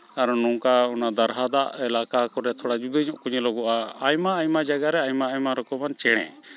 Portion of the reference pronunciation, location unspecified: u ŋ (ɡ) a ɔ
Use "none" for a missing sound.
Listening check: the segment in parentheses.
k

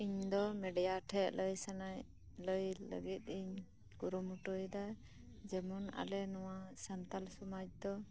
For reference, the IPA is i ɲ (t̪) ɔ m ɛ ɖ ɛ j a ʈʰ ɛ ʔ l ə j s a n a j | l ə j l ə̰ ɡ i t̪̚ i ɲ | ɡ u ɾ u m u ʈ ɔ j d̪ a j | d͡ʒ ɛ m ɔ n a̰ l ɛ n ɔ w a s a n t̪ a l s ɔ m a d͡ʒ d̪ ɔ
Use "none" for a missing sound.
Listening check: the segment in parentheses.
d̪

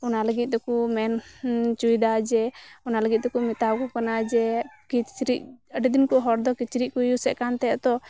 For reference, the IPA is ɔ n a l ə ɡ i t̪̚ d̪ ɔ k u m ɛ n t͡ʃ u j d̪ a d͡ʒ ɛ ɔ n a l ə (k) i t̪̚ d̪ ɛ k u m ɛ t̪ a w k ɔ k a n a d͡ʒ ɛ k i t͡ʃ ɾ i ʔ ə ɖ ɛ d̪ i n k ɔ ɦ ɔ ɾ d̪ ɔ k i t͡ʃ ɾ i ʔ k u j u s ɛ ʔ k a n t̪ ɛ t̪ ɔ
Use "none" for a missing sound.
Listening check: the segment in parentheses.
ɡ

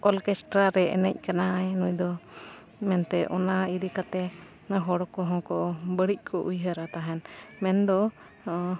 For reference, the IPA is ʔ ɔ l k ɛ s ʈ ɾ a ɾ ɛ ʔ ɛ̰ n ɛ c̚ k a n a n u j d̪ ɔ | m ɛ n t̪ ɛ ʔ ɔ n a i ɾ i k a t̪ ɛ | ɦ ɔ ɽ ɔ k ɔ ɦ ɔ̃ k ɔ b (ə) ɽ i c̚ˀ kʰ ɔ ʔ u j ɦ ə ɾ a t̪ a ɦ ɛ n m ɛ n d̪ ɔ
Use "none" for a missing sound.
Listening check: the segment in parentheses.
ə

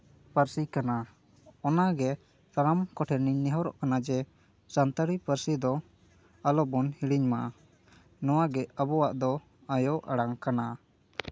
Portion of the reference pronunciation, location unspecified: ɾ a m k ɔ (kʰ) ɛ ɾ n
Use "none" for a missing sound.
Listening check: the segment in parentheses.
ʈʰ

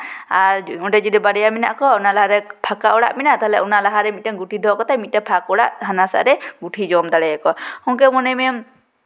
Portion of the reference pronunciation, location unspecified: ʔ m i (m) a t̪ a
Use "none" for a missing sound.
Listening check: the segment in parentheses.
n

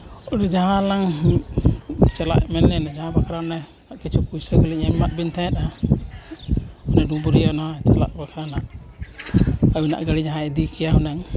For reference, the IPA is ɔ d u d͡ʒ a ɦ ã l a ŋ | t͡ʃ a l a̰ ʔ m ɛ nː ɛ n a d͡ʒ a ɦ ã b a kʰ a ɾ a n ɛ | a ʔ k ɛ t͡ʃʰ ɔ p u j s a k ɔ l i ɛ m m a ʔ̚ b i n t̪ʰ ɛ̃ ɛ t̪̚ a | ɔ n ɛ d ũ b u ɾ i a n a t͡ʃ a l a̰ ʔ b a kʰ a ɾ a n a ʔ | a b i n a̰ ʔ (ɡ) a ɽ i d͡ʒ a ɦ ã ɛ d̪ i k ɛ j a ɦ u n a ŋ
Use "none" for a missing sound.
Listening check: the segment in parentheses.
ɡ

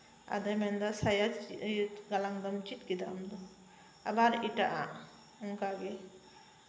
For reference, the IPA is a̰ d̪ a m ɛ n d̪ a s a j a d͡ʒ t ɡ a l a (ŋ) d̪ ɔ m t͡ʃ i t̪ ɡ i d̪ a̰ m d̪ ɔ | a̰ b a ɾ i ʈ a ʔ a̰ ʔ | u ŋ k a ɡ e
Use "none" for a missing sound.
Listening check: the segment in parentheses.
ŋ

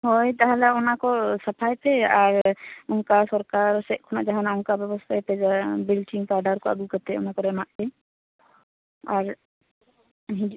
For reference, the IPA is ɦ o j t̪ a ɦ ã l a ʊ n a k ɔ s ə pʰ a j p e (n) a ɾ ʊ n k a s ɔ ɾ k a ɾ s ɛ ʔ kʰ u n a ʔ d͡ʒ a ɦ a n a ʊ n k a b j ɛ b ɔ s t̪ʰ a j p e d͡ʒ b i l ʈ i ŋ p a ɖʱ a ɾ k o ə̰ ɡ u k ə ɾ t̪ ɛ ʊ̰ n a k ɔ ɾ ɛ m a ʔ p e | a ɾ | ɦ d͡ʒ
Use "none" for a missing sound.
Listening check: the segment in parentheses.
none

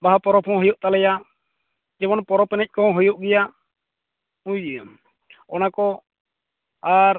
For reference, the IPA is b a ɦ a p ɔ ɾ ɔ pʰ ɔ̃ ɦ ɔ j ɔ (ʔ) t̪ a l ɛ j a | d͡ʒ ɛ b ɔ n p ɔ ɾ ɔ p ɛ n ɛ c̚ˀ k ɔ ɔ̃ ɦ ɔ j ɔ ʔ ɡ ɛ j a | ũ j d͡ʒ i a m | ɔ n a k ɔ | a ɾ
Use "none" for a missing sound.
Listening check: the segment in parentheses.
ʔ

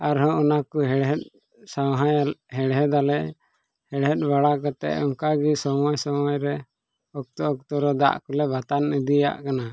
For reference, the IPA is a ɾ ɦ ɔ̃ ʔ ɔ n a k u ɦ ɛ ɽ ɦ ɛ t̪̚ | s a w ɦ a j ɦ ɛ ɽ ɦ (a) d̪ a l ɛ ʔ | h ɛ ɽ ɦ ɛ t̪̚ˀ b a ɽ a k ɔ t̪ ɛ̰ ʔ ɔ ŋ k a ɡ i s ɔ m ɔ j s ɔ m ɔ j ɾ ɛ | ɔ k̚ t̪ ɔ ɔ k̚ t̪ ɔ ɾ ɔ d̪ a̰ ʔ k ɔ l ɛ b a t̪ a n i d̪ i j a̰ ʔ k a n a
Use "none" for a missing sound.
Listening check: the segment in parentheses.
ɛ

